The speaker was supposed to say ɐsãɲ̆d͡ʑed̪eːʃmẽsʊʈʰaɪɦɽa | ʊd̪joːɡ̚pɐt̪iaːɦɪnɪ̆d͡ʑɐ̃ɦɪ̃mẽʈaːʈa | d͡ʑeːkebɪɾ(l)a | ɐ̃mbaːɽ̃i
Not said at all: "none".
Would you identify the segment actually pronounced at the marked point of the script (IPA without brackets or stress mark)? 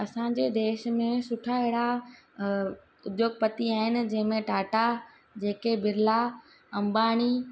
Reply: l